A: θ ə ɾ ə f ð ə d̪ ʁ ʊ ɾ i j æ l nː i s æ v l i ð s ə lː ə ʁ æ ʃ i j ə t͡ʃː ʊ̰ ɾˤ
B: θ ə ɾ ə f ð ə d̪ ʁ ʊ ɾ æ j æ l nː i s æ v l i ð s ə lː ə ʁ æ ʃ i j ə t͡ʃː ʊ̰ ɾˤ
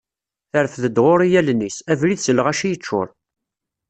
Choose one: A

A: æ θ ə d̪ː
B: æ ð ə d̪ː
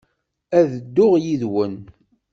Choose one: B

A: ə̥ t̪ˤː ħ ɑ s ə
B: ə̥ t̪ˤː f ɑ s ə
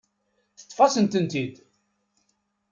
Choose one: B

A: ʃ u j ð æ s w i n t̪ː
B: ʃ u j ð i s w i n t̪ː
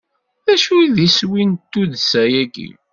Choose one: B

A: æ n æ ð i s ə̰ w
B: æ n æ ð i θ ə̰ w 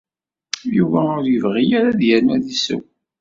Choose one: A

